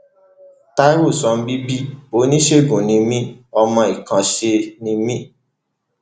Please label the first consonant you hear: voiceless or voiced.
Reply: voiceless